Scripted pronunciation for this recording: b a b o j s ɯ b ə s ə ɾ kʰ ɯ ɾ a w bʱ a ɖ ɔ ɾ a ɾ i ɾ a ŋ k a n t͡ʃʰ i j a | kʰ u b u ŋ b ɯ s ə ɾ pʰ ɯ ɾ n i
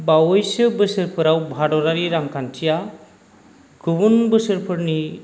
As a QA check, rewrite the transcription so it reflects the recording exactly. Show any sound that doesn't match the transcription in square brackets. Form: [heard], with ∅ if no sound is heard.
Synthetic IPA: b a [w] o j s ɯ b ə s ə ɾ [pʰ] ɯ ɾ a w bʱ a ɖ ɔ ɾ a ɾ i ɾ a ŋ k a n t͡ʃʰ i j a | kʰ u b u [n] b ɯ s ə ɾ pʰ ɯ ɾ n i